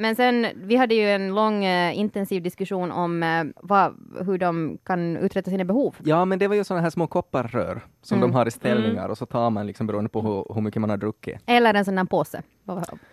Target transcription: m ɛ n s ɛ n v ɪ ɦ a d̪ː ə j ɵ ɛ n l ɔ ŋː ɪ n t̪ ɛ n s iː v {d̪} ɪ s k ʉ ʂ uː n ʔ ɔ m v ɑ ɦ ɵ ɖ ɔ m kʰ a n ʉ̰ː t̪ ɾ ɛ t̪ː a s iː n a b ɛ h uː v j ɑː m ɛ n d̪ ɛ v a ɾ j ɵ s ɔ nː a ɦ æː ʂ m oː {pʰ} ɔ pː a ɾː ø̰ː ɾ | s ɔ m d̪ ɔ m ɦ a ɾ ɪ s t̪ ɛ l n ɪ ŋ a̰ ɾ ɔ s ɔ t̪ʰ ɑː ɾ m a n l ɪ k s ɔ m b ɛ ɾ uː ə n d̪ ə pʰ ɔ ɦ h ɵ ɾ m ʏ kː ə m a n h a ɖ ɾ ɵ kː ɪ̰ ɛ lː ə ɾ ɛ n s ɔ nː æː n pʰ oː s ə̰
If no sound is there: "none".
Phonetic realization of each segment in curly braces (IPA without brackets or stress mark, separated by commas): d̪, kʰ